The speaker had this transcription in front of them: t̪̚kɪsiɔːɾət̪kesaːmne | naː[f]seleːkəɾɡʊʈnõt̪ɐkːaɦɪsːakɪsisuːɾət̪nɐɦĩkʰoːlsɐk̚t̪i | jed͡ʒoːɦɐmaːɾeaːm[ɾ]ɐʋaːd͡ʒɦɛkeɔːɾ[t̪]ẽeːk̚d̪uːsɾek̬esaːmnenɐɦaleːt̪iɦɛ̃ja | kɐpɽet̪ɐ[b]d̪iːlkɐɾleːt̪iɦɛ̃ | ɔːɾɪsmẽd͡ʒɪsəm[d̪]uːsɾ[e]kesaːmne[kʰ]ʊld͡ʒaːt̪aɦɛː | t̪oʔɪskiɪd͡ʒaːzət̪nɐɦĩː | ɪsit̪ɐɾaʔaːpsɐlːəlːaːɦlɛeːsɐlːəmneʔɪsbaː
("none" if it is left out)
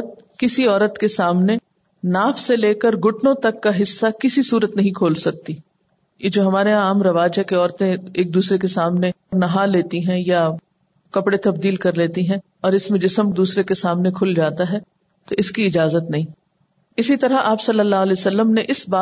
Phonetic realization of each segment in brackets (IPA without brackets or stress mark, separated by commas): f, ɾ, t̪, b, d̪, e, kʰ